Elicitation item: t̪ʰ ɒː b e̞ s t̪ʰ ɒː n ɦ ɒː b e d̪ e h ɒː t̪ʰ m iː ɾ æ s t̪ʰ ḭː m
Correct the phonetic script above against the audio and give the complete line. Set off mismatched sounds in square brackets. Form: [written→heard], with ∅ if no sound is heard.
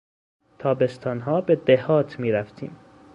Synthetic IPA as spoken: t̪ʰ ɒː b e̞ s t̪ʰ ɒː n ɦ ɒː b e d̪ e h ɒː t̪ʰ m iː ɾ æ [s→f] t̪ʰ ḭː m